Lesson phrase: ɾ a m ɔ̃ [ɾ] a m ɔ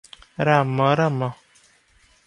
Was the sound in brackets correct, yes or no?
yes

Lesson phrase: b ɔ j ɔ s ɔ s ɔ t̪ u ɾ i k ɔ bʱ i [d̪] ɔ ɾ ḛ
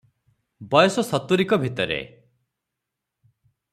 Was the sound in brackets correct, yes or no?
no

